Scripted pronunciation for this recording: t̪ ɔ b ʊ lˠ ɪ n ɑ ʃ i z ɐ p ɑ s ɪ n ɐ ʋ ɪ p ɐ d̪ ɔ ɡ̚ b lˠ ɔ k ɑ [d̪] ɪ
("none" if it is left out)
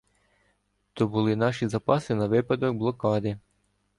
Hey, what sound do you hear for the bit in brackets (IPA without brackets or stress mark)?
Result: d̪